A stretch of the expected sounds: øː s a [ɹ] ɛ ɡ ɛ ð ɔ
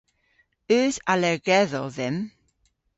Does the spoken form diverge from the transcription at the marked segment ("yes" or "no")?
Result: yes